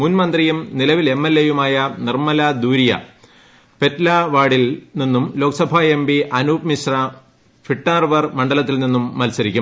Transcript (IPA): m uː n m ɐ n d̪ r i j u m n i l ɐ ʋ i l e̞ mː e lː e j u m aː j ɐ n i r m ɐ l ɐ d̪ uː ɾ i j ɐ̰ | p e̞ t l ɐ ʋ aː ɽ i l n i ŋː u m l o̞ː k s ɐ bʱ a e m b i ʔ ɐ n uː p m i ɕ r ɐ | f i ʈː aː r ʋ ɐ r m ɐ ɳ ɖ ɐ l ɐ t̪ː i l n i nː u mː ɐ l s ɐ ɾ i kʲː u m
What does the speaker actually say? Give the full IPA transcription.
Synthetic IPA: m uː n m ɐ n d̪ r i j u m n i l ɐ ʋ i l e̞ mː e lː e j u m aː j ɐ n i r m ɐ l ɐ d̪ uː ɾ i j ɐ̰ | p e̞ t l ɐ ʋ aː ɽ i l n i nː u m l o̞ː k s ɐ bʱ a e m b i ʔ ɐ n uː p m i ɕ r ɐ | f i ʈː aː r ʋ ɐ r m ɐ ɳ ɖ ɐ l ɐ t̪ː i l n i nː u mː ɐ l s ɐ ɾ i kʲː u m

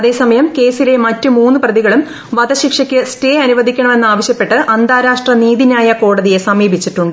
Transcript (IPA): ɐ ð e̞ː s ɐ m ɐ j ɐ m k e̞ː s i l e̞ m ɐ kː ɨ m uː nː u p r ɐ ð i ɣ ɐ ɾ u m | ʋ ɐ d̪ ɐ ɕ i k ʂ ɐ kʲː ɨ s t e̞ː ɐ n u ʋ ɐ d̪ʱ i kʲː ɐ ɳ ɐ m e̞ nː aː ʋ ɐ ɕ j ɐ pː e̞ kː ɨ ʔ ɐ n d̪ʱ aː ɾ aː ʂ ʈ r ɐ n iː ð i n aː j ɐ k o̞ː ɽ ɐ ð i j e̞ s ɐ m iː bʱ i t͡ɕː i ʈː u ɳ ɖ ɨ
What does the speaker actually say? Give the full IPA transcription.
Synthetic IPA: ɐ ð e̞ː s ɐ m ɐ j ɐ m k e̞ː s i l e̞ m ɐ tː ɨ m uː nː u p r ɐ ð i ɣ ɐ ɭ u m | ʋ ɐ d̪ ɐ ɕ i k ʂ ɐ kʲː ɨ s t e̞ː ɐ n u ʋ ɐ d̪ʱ i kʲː ɐ ɳ ɐ m e̞ nː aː ʋ ɐ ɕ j ɐ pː e̞ ʈː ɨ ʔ ɐ n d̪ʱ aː ɾ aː ʂ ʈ r ɐ n iː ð i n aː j ɐ k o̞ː ɽ ɐ ð i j e̞ s ɐ m iː bʱ i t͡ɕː i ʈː u ɳ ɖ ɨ

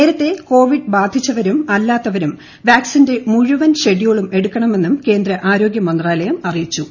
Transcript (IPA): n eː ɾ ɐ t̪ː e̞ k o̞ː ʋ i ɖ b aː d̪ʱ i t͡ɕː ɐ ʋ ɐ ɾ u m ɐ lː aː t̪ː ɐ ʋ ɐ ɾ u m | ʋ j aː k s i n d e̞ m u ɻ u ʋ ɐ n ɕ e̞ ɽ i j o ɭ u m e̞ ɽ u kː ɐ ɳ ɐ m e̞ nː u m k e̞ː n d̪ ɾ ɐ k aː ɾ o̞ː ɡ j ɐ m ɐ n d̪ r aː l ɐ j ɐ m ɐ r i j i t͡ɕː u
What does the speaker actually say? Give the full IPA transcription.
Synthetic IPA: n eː ɾ ɐ t̪ː e̞ k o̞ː ʋ i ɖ b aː d̪ʱ i t͡ɕː ɐ ʋ ɐ ɾ u m ɐ lː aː t̪ː ɐ ʋ ɐ ɾ u m | ʋ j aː k s i n d e̞ m u ɻ u ʋ ɐ n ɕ e̞ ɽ i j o ɭ u m e̞ ɽ u kː ɐ ɳ ɐ m e̞ nː u m k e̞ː n d̪ ɾ ɐ ʔ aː ɾ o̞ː ɡ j ɐ m ɐ n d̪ r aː l ɐ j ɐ m ɐ r i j i t͡ɕː u

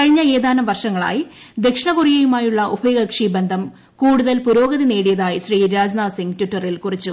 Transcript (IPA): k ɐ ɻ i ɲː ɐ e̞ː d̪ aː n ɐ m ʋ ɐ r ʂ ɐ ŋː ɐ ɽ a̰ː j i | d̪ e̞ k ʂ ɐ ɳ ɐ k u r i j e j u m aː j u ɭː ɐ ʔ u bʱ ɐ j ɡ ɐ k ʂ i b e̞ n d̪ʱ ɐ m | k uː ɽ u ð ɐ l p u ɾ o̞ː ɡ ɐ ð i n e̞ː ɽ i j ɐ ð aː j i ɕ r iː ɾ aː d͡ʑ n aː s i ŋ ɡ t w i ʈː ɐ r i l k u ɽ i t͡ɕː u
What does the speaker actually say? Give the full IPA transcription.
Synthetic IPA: k ɐ ɻ i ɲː ɐ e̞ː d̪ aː n ɐ m ʋ ɐ r ʂ ɐ ŋː ɐ ɭ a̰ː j i | d̪ e̞ k ʂ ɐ ɳ ɐ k u r i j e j u m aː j u ɭː ɐ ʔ u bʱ ɐ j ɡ ɐ k ʂ i b e̞ n d̪ʱ ɐ m | k uː ɽ u ð ɐ l p u ɾ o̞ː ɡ ɐ ð i n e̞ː ɽ i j ɐ ð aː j i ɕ r iː ɾ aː d͡ʑ n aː s i ŋ ɡ t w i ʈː ɐ r i l k u r i t͡ɕː u

